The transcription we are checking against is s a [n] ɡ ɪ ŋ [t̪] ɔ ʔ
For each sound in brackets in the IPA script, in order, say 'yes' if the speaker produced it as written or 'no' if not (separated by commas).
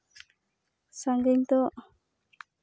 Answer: no, yes